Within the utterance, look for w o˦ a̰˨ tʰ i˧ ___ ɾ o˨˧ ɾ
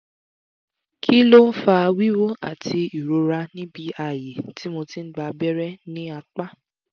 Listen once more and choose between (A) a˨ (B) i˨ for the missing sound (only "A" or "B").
B